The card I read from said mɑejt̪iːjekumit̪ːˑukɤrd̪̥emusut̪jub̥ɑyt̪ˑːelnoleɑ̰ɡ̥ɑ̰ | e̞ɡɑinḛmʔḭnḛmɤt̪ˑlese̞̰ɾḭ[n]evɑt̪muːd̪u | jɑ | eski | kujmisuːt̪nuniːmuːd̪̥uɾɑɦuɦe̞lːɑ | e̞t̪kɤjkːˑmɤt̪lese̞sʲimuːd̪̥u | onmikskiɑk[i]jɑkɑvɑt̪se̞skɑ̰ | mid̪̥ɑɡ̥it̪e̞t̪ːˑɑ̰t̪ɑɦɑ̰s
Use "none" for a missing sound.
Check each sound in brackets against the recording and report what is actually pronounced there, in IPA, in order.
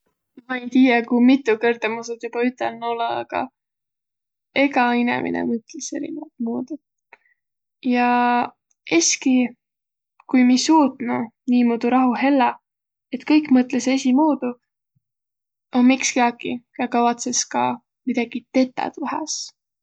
n, i

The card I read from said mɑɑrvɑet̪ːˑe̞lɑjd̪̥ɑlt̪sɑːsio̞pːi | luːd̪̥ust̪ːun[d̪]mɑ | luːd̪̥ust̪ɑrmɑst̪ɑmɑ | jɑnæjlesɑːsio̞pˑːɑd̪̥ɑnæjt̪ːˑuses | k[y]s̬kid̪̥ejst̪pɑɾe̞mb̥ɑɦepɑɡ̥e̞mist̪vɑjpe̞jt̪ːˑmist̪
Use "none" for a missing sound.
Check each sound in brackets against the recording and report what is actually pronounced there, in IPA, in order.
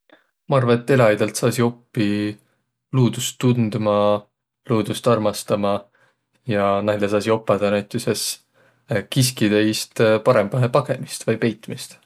d̪, i

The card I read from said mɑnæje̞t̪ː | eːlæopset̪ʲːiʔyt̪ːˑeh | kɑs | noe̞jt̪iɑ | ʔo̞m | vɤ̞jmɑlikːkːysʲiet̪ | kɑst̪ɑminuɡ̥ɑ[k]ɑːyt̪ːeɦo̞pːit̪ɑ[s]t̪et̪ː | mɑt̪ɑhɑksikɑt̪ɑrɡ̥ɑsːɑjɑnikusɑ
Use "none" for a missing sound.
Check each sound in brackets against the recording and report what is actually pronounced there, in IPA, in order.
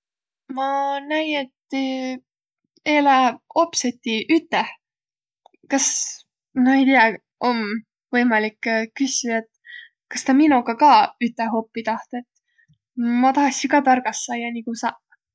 k, h

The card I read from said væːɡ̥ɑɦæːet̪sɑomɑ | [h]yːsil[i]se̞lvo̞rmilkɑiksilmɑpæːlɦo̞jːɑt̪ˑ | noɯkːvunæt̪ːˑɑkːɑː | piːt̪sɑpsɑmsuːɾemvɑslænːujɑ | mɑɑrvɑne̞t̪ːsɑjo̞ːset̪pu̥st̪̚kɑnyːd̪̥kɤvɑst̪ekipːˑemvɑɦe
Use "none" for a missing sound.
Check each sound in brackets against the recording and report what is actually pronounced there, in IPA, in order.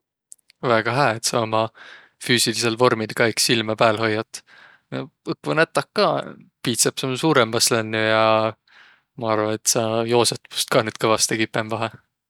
f, i

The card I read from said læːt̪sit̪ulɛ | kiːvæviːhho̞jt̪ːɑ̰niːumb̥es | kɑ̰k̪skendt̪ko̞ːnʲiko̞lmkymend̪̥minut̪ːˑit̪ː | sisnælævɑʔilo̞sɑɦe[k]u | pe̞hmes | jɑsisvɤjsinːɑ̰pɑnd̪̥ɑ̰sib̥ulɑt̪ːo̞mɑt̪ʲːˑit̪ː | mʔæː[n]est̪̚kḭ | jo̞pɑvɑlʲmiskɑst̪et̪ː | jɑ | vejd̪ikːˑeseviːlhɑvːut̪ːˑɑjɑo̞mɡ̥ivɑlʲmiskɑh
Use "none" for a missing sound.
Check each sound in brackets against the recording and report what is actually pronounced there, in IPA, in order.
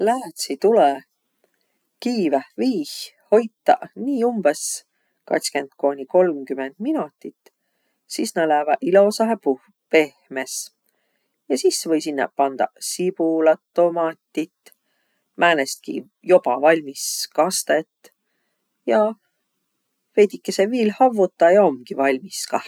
p, n

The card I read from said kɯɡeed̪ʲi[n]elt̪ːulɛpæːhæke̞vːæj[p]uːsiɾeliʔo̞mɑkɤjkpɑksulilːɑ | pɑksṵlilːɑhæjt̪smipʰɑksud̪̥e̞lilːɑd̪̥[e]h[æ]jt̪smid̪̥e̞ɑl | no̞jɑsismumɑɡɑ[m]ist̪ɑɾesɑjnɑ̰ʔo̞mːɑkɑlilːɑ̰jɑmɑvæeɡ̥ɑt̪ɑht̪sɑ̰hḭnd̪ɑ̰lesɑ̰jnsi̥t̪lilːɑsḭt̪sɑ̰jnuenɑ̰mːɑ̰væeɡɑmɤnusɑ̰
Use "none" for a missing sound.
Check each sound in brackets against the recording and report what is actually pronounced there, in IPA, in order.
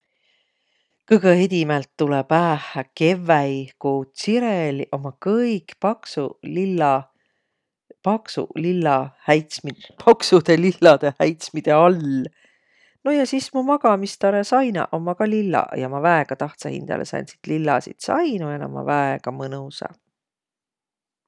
m, k, e, æ, m

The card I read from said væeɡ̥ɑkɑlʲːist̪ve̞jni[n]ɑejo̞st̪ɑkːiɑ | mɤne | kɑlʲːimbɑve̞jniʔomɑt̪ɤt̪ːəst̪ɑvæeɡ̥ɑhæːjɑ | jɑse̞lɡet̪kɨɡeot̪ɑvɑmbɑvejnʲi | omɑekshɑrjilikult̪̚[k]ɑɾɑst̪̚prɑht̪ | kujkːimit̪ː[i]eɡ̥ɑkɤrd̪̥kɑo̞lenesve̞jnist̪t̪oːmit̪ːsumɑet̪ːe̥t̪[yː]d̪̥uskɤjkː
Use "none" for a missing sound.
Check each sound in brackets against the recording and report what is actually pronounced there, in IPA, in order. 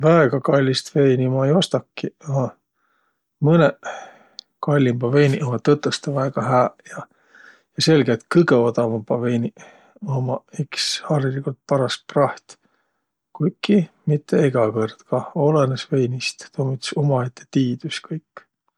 m, p, e, iː

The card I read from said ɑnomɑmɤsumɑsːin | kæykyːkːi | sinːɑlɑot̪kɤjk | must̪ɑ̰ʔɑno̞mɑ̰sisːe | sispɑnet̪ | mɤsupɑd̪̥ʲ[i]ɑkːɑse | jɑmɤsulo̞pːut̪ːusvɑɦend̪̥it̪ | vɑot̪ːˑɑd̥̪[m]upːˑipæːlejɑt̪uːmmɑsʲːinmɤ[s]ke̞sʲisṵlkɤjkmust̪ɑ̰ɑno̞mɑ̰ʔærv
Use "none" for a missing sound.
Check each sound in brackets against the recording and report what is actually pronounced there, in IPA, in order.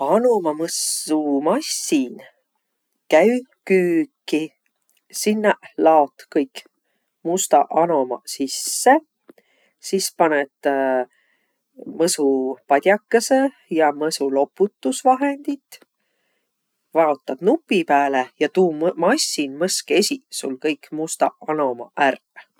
j, n, s

